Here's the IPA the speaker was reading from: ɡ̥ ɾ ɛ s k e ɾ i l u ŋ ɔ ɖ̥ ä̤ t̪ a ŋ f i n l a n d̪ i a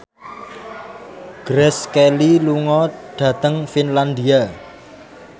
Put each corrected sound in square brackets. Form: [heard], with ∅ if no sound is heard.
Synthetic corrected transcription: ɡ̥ ɾ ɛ s k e [l] i l u ŋ ɔ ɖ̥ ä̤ t̪ [ə] ŋ f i n l a n d̪ i a